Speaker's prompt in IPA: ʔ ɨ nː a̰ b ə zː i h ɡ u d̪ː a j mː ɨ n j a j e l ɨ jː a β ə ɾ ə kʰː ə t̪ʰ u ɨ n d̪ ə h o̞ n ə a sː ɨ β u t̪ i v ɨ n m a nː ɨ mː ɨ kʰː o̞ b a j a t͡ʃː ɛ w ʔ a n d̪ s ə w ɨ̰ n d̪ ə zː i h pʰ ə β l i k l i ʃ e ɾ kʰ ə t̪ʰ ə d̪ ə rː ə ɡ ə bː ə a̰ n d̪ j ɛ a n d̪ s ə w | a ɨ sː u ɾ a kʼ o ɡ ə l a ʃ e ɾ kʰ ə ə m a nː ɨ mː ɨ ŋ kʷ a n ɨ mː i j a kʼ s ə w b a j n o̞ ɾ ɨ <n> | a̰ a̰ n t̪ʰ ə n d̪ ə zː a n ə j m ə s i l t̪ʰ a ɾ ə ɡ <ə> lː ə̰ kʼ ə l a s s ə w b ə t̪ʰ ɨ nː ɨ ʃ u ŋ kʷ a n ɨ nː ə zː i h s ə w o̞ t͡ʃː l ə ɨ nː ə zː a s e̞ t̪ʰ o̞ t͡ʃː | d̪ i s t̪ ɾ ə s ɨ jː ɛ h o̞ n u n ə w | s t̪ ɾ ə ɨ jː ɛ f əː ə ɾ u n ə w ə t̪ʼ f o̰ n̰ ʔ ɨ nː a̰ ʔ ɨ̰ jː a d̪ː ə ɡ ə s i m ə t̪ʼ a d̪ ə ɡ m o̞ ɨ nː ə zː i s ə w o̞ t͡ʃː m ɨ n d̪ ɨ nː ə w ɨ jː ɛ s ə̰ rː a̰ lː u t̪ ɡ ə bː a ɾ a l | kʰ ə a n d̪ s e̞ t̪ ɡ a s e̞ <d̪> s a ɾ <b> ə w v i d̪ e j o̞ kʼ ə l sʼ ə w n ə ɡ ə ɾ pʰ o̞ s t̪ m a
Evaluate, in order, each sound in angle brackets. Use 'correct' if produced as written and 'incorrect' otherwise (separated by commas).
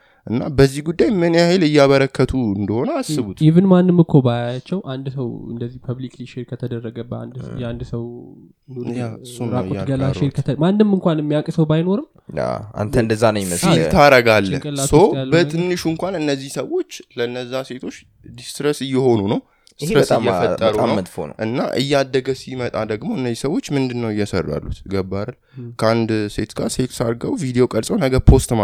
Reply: incorrect, incorrect, incorrect, incorrect